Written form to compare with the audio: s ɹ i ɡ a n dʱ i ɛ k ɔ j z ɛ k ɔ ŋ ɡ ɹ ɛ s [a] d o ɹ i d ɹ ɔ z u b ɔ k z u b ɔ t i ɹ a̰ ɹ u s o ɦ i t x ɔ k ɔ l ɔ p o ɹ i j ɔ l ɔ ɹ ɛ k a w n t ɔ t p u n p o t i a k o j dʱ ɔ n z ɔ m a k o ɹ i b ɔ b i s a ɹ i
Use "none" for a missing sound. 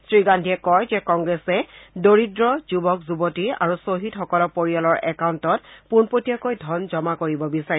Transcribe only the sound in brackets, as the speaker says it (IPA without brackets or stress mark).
ɛ